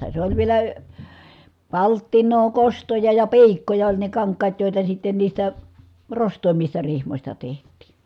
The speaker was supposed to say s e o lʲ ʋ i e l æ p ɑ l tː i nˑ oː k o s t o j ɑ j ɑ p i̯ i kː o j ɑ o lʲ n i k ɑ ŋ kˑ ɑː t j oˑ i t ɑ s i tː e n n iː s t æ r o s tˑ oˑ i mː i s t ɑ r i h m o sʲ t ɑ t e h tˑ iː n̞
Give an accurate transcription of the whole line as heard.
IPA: s e o lʲ ʋ i e l æ p ɑ l tː i nˑ oː k o s t o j ɑ j ɑ p i̯ i kː o j ɑ o lʲ n e k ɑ ŋ kˑ ɑː t j oˑ i t ɑ s i tː e n n iː s t æ r o s tˑ oˑ i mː i s t ɑ r i h m o sʲ t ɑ t e h tˑ iː n̞